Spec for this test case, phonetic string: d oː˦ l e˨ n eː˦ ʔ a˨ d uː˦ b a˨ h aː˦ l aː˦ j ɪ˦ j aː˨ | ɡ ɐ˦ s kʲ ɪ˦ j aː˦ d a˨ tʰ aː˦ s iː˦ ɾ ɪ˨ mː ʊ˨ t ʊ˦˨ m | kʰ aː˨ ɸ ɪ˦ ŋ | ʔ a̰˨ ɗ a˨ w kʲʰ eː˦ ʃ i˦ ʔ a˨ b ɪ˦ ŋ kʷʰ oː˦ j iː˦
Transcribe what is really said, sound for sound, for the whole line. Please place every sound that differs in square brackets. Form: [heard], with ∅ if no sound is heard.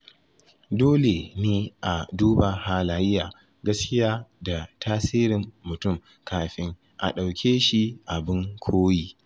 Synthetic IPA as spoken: d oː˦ l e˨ n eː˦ ʔ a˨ d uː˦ b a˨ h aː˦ l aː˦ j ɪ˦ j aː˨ | ɡ ɐ˦ s kʲ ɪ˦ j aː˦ d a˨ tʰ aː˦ s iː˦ ɾ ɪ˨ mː ʊ˨ t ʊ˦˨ m | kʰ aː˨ ɸ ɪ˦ ŋ | ʔ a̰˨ ɗ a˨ w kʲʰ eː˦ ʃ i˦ ʔ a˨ b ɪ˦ ŋ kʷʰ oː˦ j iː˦